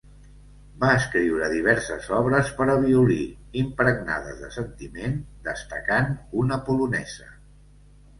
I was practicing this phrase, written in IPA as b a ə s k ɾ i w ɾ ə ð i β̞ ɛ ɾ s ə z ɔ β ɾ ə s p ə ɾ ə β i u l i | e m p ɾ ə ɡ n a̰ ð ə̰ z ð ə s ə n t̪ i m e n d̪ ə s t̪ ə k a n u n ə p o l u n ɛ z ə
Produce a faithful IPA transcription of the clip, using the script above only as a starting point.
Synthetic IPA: b a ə s k ɾ i w ɾ ə ð i β̞ ɛ ɾ s ə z ɔ β ɾ ə s p ə ɾ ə β i u l i | i m p ɾ ə ɡ n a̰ ð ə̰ z ð ə s ə n t̪ i m e n d̪ ə s t̪ ə k a n u n ə p u l u n ɛ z ə